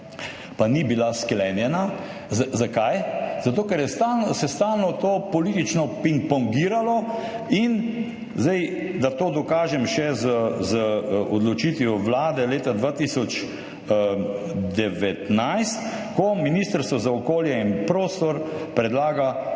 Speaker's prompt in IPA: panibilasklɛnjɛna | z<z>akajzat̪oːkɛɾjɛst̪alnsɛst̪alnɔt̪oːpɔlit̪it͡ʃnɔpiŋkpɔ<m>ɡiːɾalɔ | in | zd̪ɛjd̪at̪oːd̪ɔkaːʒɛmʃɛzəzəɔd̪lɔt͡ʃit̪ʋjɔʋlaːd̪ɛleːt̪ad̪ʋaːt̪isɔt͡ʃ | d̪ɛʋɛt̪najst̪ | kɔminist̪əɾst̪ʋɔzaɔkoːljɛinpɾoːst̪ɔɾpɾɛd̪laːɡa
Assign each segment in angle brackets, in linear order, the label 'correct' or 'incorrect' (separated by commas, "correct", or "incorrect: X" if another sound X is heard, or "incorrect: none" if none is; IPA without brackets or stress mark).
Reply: correct, incorrect: ŋ